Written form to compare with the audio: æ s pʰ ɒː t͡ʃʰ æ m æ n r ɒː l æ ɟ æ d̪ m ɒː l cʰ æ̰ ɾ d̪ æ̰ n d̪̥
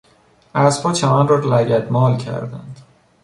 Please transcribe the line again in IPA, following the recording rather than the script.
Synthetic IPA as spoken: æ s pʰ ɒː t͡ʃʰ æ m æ n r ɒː l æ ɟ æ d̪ m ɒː l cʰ æ̰ ɾ d̪ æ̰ n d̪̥